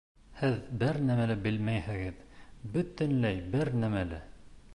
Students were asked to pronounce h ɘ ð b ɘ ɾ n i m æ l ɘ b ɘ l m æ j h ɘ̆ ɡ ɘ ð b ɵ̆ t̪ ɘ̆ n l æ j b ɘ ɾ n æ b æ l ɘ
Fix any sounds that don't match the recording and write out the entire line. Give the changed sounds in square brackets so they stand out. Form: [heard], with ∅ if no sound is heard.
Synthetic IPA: h ɘ ð b ɘ ɾ n [æ] m æ l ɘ b ɘ l m æ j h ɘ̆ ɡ ɘ ð b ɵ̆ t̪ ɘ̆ n l æ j b ɘ ɾ n æ [m] æ l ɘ